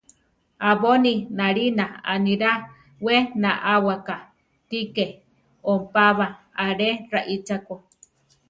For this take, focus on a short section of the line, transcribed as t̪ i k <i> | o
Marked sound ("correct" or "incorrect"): incorrect